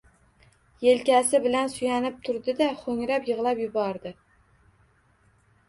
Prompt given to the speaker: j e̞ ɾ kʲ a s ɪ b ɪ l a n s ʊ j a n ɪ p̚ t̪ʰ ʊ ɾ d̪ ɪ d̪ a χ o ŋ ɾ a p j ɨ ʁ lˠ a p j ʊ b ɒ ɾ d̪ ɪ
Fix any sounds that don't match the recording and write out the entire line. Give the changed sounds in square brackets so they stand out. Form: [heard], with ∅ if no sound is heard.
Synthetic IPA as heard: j e̞ [l] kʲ a s ɪ b ɪ l a n s ʊ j a n ɪ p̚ t̪ʰ ʊ ɾ d̪ ɪ d̪ a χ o ŋ ɾ a p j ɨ ʁ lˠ a p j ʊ b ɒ ɾ d̪ ɪ